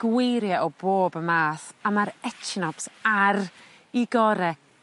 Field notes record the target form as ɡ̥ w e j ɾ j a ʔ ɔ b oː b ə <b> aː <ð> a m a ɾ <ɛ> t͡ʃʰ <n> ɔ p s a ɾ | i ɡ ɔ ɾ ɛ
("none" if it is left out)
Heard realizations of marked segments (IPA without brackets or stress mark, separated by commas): m, θ, ɛ, n